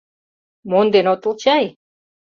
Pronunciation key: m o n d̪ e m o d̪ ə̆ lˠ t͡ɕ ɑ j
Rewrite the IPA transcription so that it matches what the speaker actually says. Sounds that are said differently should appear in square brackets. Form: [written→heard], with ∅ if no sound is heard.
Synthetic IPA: m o n d̪ e [m→n] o [d̪→t̪] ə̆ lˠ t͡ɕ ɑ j